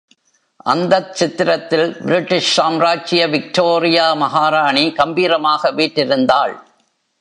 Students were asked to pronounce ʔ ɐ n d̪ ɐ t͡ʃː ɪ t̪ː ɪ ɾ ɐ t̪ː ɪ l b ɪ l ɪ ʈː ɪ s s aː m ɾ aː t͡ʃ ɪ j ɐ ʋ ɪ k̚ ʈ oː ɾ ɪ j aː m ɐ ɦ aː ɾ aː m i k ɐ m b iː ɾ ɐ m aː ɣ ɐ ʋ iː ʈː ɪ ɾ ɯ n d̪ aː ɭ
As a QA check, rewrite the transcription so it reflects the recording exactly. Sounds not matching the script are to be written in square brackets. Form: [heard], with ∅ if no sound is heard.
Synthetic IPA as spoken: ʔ ɐ n d̪ ɐ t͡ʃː ɪ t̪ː ɪ ɾ ɐ t̪ː ɪ l b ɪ [ɾ] ɪ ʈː ɪ [ʂ] s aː m ɾ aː t͡ʃ ɪ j ɐ ʋ ɪ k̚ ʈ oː ɾ ɪ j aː m ɐ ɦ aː ɾ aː [ɳ] i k ɐ m b iː ɾ ɐ m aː ɣ ɐ ʋ iː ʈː ɪ ɾ ɯ n d̪ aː ɭ